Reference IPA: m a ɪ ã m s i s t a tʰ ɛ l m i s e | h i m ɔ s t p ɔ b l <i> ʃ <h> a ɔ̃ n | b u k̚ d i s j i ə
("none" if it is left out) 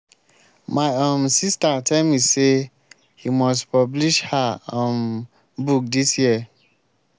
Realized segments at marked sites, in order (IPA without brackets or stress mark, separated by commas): i, h